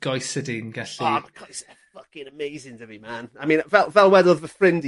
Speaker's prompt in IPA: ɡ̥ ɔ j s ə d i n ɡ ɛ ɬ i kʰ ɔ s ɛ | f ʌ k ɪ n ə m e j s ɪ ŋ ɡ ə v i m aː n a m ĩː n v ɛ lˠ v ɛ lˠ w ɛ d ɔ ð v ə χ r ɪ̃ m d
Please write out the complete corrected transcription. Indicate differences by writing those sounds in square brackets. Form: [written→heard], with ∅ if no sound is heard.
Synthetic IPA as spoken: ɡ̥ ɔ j s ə d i n ɡ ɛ ɬ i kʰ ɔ s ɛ | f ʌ k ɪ n ə m e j [s→z] ɪ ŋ [ɡ→d] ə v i m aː n a m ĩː n v ɛ lˠ v ɛ lˠ w ɛ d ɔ ð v ə [χ→f] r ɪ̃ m d